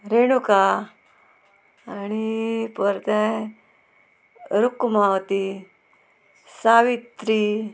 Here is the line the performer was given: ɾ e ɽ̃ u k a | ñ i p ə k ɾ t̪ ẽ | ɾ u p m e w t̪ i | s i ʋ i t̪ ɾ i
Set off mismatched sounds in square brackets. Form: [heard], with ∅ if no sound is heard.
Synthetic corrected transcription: ɾ e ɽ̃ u k a | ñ i p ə [∅] ɾ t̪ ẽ | ɾ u [k] m [a] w t̪ i | s [a] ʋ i t̪ ɾ i